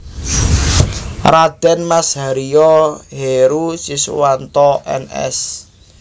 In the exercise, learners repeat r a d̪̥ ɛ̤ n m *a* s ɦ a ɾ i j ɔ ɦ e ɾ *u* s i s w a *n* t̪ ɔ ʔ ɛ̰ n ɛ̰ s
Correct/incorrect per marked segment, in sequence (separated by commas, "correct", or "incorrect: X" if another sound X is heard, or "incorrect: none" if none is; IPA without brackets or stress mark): correct, correct, correct